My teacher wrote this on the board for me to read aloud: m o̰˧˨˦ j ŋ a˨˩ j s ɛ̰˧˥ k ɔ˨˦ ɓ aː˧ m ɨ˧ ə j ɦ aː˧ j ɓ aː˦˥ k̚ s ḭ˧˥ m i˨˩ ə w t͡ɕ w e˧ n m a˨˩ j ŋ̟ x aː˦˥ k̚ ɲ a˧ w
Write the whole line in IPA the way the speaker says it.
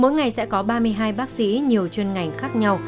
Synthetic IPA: m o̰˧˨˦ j ŋ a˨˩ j s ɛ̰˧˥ k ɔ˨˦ ɓ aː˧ m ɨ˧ ə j ɦ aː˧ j ɓ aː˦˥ k̚ s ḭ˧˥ ɲ i˨˩ ə w t͡ɕ w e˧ n ŋ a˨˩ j ŋ̟ x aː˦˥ k̚ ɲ a˧ w